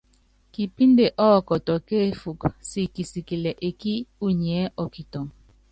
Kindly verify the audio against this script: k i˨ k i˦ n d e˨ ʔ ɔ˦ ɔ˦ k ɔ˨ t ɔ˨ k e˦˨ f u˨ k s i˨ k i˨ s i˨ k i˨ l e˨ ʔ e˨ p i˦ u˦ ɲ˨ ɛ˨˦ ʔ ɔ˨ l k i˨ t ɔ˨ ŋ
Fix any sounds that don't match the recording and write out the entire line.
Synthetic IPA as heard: k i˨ p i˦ n d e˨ ʔ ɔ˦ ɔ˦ k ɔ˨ t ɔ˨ k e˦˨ f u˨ k s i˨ k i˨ s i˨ k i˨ l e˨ ʔ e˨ k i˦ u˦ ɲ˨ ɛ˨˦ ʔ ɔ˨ k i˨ t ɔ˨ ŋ